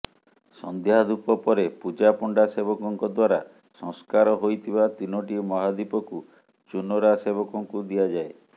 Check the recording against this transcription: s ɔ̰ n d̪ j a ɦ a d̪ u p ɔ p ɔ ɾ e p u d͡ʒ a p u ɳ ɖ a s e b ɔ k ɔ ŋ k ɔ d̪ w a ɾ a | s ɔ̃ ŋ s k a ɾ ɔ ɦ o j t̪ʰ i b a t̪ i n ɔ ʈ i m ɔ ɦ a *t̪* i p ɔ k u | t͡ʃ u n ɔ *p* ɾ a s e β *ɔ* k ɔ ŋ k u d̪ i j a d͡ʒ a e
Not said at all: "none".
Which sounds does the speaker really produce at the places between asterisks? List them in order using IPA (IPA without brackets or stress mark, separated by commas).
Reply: d̪, none, ɔ